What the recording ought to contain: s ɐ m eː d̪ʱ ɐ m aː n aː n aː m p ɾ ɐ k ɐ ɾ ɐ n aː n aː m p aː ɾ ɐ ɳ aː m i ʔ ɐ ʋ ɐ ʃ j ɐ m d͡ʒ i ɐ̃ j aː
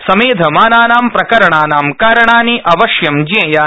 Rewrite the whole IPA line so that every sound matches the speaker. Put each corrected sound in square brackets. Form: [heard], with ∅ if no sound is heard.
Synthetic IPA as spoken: s ɐ m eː d̪ʱ ɐ m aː n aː n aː m p ɾ ɐ k ɐ ɾ ɐ [ɳ] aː n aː m [k] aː ɾ ɐ ɳ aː [n] i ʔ ɐ ʋ ɐ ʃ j ɐ m d͡ʒ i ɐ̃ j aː